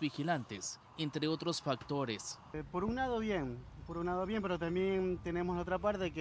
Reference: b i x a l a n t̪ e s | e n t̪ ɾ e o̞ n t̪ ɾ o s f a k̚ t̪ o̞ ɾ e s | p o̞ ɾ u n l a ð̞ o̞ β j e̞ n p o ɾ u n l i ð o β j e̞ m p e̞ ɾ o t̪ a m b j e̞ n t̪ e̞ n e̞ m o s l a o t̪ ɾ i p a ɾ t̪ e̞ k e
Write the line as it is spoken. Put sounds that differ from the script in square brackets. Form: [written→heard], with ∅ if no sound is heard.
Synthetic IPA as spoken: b i x [a→i] l a n t̪ e s | e n t̪ ɾ e o̞ [n→∅] t̪ ɾ o s f a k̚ t̪ o̞ ɾ e s | p o̞ ɾ u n l a ð̞ o̞ β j e̞ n p o ɾ u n l [i→a] ð o β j e̞ m p e̞ ɾ o t̪ a m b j e̞ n t̪ e̞ n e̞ m o s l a o t̪ ɾ [i→a] p a ɾ t̪ e̞ k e

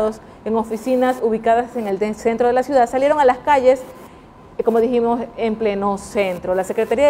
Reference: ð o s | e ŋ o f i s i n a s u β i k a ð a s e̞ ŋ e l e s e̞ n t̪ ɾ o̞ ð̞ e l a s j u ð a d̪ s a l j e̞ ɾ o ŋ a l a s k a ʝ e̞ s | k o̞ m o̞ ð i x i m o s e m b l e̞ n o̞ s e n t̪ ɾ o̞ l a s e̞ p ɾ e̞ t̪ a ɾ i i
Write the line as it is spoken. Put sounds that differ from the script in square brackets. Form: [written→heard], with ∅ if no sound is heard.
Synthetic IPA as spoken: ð o s | e ŋ o f i s i n a s u β i k a ð a s e̞ ŋ e l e s e̞ n t̪ ɾ o̞ ð̞ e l a s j u ð a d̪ s a l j e̞ ɾ o ŋ a l a s k a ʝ e̞ s | k o̞ m o̞ ð i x i m o s e m [b→p] l e̞ n o̞ s e n t̪ ɾ o̞ l a s e̞ [p→k] ɾ e̞ t̪ a ɾ i [i→a]

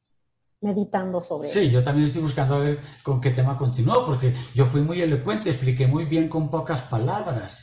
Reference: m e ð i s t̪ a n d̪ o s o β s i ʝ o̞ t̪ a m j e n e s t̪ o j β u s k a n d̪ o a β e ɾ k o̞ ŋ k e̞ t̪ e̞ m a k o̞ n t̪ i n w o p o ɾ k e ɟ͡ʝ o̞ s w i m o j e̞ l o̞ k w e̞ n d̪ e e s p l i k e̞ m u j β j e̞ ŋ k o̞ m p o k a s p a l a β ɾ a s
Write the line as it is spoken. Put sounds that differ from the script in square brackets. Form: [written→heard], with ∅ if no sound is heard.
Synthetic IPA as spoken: m e ð i [s→∅] t̪ a n d̪ o s o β s i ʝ o̞ t̪ a m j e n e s t̪ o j β u s k a n d̪ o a β e ɾ k o̞ ŋ k e̞ t̪ e̞ m a k o̞ n t̪ i n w o p o ɾ k e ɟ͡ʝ o̞ [s→f] w i m [o→u] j e̞ l o̞ k w e̞ n [d̪→t̪] e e s p l i k e̞ m u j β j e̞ ŋ k o̞ m p o k a s p a l a β ɾ a s

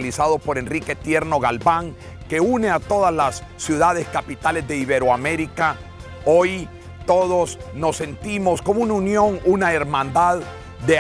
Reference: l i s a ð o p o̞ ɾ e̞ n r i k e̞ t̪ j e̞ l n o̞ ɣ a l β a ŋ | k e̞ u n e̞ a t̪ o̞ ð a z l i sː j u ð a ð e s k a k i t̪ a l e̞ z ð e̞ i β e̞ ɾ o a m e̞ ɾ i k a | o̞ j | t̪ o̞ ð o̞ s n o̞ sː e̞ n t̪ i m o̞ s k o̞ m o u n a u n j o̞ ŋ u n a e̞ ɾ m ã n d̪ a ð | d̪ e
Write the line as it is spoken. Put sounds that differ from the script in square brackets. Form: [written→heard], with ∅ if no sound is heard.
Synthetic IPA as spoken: l i s a ð o p o̞ ɾ e̞ n r i k e̞ t̪ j e̞ [l→ɾ] n o̞ ɣ a l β a ŋ | k e̞ u n e̞ a t̪ o̞ ð a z l [i→a] sː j u ð a ð e s k a [k→p] i t̪ a l e̞ z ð e̞ i β e̞ ɾ o a m e̞ ɾ i k a | o̞ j | t̪ o̞ ð o̞ s n o̞ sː e̞ n t̪ i m o̞ s k o̞ m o u n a u n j o̞ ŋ u n a e̞ ɾ m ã n d̪ a ð | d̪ e

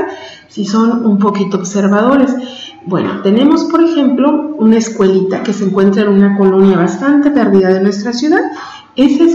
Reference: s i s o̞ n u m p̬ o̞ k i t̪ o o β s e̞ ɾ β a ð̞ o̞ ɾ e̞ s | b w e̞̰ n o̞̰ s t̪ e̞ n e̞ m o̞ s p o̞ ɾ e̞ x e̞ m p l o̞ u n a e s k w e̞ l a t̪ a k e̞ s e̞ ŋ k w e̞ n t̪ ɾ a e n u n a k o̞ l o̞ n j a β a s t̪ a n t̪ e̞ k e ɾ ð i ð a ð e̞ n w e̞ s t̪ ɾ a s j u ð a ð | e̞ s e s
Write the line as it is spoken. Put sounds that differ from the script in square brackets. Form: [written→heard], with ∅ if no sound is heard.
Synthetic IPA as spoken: s i s o̞ n u m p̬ o̞ k i t̪ o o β s e̞ ɾ β a ð̞ o̞ ɾ e̞ s | b w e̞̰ n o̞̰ [s→∅] t̪ e̞ n e̞ m o̞ s p o̞ ɾ e̞ x e̞ m p l o̞ u n a e s k w e̞ l [a→i] t̪ a k e̞ s e̞ ŋ k w e̞ n t̪ ɾ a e n u n a k o̞ l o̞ n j a β a s t̪ a n t̪ e̞ [k→p] e ɾ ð i ð a ð e̞ n w e̞ s t̪ ɾ a s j u ð a ð | e̞ s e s

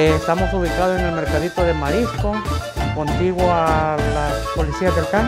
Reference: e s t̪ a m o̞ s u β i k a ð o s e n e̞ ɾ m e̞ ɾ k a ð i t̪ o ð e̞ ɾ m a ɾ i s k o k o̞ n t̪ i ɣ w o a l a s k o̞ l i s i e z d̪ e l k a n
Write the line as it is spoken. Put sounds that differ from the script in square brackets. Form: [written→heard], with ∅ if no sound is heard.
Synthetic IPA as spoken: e s t̪ a m o̞ s u β i k a ð o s e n e̞ [ɾ→l] m e̞ ɾ k a ð i t̪ o ð e̞ [ɾ→∅] m a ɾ i s k o k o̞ n t̪ i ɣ w o a l a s [k→p] o̞ l i s i [e→a] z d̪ e l k a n

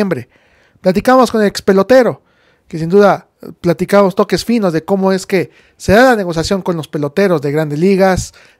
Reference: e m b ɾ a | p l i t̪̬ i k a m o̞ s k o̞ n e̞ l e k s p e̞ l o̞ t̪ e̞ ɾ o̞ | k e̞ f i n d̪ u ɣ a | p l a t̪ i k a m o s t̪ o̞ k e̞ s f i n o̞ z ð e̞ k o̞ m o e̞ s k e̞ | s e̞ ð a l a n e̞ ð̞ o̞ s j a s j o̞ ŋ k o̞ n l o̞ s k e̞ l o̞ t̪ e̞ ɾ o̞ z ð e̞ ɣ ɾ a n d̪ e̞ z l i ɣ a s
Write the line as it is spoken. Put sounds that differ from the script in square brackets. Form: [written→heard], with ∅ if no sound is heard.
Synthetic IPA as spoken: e m b ɾ [a→e] | p l [i→a] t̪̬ i k a m o̞ s k o̞ n e̞ l e k s p e̞ l o̞ t̪ e̞ ɾ o̞ | k e̞ [f→s] i n d̪ u [ɣ→ð] a | p l a t̪ i k a m o s t̪ o̞ k e̞ s f i n o̞ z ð e̞ k o̞ m o e̞ s k e̞ | s e̞ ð a l a n e̞ [ð̞→ɣ̞] o̞ s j a s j o̞ ŋ k o̞ n l o̞ s [k→p] e̞ l o̞ t̪ e̞ ɾ o̞ z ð e̞ ɣ ɾ a n d̪ e̞ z l i ɣ a s

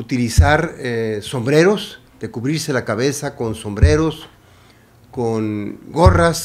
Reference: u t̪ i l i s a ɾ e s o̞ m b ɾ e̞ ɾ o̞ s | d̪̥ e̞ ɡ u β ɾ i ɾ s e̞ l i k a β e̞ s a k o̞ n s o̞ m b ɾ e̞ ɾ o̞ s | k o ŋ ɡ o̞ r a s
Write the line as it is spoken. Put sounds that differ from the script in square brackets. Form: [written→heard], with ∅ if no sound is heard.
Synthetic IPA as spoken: u t̪ i l i s a ɾ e s o̞ m b ɾ e̞ ɾ o̞ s | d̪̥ e̞ [ɡ→k] u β ɾ i ɾ s e̞ l [i→a] k a β e̞ s a k o̞ n s o̞ m b ɾ e̞ ɾ o̞ s | k o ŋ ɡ o̞ r a s

